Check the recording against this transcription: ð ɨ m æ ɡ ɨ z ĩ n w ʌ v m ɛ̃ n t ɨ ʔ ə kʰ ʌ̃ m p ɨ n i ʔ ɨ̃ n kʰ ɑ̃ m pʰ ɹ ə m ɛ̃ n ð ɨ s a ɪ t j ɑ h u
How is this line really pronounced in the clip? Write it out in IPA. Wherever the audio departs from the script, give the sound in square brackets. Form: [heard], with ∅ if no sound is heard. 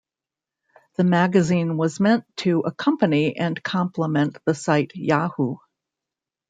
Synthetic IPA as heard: ð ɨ m æ ɡ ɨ z ĩ n w ʌ [z] m ɛ̃ n [tʰ] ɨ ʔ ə kʰ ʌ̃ m p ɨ n i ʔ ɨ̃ n kʰ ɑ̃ m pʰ [l] ə m ɛ̃ n ð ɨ s a ɪ t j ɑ h u